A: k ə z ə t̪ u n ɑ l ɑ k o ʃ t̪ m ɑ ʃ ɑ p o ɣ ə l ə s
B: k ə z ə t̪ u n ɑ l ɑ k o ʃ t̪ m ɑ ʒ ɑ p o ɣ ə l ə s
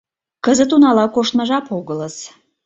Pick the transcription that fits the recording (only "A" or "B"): B